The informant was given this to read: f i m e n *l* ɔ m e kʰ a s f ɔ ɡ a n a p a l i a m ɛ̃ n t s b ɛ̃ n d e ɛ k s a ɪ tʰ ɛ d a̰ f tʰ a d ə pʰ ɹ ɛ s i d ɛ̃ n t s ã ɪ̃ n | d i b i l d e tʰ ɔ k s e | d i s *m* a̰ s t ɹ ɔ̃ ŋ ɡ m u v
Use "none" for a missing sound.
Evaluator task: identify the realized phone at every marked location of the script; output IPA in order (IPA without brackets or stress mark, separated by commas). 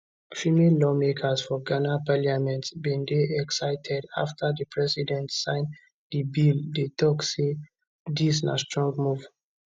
l, n